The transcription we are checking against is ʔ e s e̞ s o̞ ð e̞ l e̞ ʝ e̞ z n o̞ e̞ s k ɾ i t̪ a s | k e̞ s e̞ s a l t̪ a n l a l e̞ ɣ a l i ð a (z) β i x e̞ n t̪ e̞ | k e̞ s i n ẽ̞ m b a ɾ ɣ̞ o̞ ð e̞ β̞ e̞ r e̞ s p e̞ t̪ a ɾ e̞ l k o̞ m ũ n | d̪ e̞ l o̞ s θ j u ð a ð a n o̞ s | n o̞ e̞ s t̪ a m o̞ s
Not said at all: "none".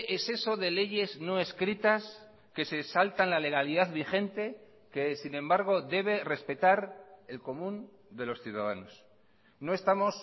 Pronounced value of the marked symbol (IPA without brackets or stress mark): ð